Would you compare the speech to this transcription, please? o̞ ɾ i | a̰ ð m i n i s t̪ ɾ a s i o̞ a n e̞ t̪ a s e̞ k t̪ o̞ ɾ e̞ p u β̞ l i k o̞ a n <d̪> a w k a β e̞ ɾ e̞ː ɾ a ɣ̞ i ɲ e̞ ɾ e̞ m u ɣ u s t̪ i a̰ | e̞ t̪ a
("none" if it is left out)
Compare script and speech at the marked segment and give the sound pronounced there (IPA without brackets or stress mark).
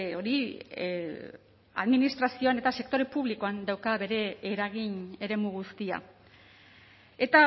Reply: d̪